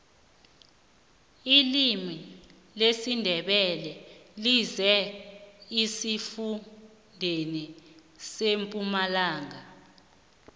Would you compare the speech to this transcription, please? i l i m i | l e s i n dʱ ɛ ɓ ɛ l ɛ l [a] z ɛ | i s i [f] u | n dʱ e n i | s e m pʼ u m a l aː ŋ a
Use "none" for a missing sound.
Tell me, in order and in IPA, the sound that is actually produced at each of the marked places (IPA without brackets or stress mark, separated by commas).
i, f